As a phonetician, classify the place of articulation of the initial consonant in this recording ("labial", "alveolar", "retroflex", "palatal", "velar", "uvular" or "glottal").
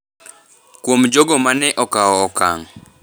velar